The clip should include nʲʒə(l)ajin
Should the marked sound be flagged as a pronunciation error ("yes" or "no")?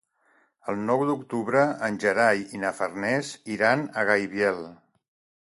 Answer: yes